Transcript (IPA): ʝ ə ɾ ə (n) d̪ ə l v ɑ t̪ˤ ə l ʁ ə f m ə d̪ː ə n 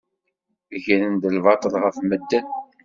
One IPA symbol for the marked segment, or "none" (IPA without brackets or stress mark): n